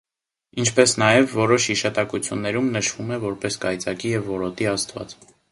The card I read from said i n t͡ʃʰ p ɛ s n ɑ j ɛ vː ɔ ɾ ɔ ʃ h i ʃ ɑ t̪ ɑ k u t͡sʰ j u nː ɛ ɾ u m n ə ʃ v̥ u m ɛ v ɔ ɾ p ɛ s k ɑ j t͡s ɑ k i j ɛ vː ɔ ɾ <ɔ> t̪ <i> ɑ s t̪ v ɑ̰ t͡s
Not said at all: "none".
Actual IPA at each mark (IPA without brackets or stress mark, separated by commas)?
ɔ, i